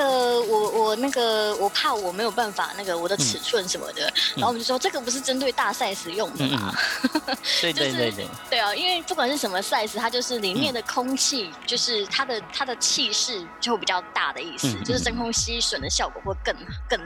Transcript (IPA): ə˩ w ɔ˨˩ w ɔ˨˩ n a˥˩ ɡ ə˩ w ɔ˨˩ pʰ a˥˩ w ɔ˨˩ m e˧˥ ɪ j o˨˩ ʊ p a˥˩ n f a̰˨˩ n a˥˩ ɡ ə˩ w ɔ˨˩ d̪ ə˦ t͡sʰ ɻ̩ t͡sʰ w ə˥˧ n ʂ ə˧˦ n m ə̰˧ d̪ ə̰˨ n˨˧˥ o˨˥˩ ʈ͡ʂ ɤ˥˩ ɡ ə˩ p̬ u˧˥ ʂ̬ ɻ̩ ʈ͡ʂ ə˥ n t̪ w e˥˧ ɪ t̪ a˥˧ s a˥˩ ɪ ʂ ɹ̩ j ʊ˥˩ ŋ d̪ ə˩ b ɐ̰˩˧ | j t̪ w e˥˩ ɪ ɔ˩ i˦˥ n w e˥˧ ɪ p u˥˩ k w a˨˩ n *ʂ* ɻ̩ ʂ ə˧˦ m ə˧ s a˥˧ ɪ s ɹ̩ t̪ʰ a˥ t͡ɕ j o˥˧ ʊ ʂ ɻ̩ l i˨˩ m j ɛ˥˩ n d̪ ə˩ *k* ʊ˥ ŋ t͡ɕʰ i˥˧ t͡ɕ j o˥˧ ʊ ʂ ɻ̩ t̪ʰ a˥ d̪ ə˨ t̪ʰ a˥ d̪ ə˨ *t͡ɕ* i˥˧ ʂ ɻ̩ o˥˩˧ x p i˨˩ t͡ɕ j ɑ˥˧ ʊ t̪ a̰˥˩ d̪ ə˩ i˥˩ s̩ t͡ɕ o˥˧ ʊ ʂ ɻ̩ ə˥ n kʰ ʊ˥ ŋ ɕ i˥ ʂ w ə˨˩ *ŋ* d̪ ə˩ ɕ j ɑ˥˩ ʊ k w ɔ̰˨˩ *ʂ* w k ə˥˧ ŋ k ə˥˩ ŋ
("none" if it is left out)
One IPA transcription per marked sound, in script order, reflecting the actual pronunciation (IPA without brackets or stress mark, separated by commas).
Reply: ʂ, kʰ, t͡ɕʰ, n, x